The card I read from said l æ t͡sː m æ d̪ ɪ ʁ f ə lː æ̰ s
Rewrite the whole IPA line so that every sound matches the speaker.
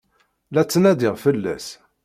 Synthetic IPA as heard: l æ t͡sː n æ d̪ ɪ ʁ f ə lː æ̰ s